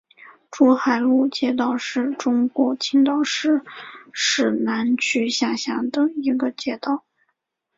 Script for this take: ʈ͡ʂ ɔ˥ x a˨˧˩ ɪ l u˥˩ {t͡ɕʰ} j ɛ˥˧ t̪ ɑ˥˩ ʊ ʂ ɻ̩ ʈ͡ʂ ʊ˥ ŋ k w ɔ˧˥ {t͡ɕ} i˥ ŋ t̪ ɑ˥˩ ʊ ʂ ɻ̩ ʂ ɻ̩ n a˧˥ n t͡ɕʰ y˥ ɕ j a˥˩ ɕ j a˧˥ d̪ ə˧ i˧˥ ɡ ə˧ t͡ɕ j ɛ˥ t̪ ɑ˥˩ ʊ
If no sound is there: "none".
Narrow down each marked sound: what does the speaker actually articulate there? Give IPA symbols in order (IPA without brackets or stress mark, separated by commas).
t͡ɕ, t͡ɕʰ